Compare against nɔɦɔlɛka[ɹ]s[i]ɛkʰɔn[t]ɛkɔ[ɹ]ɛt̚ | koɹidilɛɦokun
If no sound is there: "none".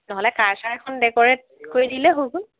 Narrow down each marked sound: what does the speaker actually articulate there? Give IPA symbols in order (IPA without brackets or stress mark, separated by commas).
ɹ, a, d, ɹ